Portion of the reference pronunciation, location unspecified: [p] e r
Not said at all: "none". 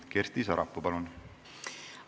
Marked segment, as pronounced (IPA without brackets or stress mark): k